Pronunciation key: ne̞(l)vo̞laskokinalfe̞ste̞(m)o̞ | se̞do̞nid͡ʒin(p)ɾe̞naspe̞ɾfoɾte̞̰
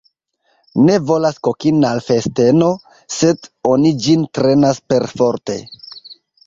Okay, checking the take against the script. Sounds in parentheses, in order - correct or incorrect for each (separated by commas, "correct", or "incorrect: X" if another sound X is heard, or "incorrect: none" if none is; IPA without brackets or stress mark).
incorrect: none, incorrect: n, incorrect: t